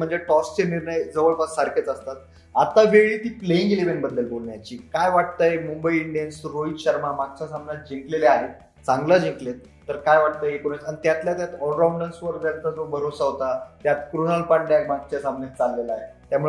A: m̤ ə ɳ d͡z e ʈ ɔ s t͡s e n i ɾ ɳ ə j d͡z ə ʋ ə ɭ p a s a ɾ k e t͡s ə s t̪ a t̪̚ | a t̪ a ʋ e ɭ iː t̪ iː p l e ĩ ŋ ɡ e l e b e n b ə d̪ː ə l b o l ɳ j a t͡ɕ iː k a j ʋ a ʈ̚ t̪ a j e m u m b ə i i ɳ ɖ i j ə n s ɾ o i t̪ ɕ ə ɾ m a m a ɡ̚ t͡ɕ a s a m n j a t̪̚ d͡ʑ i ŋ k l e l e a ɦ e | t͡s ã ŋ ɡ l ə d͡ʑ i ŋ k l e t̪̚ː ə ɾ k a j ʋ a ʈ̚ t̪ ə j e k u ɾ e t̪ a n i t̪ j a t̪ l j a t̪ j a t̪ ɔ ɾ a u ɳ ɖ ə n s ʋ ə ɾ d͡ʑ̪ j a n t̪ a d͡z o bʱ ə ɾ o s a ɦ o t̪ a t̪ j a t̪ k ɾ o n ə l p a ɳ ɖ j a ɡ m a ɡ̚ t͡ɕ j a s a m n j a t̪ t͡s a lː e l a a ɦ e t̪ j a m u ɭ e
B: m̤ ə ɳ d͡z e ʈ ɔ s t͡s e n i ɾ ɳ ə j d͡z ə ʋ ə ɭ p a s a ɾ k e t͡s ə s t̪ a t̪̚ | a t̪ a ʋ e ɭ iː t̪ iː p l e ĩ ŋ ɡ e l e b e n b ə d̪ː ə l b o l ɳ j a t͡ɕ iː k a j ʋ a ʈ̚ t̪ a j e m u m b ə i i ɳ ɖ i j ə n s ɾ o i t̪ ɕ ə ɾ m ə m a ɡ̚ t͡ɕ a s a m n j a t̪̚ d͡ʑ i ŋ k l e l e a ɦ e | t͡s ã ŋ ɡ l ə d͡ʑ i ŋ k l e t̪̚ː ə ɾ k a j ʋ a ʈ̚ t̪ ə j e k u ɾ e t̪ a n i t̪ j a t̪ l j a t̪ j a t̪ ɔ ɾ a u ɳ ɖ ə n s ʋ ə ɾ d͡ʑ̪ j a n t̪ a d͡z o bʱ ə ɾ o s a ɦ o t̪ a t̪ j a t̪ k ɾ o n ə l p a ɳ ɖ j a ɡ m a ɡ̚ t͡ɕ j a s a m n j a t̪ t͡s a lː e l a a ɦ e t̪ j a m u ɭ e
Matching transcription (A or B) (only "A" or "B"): A